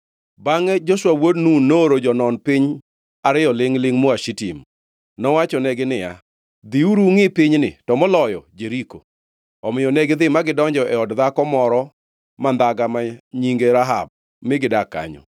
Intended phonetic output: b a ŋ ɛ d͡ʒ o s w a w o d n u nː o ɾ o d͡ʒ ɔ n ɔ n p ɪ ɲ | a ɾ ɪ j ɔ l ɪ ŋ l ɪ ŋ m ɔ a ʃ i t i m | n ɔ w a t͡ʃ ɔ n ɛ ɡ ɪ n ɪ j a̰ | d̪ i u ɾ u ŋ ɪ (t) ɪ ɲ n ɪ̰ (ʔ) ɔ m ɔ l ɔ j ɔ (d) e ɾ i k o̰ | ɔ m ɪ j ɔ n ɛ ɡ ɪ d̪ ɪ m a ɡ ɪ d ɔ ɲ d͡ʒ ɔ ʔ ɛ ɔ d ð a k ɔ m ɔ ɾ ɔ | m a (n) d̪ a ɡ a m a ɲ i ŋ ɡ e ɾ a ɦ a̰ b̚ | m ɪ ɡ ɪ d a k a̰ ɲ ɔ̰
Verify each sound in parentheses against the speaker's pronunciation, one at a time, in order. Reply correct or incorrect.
incorrect, incorrect, incorrect, correct

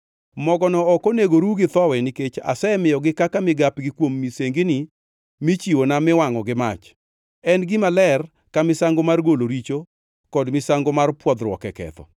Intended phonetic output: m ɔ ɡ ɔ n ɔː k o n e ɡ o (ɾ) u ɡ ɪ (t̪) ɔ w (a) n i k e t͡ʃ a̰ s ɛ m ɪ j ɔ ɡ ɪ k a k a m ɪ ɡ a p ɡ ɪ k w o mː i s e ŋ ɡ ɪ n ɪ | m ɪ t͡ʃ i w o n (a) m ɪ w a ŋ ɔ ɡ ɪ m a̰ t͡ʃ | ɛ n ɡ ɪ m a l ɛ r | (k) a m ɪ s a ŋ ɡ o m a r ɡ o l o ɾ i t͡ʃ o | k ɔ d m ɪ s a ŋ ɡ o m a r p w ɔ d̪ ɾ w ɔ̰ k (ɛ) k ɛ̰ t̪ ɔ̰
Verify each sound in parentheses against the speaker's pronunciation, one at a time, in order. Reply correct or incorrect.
correct, correct, incorrect, correct, correct, correct

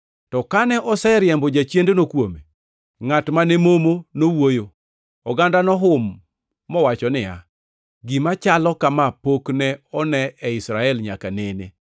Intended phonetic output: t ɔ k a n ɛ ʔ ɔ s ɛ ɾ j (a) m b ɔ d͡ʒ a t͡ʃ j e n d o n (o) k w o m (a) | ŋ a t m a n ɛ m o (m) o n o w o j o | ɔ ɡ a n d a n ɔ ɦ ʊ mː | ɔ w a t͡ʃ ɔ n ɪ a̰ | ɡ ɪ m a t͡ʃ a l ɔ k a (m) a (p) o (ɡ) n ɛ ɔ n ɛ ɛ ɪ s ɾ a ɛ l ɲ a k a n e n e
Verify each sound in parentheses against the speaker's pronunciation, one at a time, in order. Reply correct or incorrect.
incorrect, correct, incorrect, correct, correct, correct, incorrect

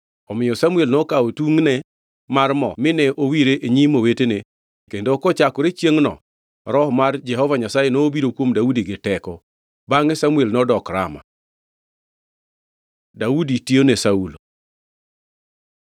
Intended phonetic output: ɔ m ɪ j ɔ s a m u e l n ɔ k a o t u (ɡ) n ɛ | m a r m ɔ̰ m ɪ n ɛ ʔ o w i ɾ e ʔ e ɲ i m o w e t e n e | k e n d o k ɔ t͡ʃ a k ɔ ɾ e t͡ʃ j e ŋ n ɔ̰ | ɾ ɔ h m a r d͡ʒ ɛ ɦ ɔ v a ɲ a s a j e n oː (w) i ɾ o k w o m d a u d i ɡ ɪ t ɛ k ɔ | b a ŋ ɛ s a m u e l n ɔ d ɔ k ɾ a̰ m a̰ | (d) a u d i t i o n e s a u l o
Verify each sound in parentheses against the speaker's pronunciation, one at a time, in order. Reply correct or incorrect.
incorrect, incorrect, correct

